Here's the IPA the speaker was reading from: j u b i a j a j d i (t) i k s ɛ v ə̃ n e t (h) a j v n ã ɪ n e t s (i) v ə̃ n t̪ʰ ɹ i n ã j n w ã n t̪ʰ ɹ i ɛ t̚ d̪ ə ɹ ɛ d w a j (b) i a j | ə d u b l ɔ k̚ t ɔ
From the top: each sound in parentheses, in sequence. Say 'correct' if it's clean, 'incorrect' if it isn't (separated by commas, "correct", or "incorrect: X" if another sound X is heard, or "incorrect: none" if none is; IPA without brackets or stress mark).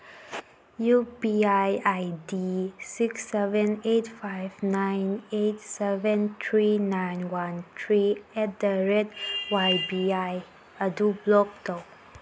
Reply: incorrect: s, incorrect: f, incorrect: ɛ, correct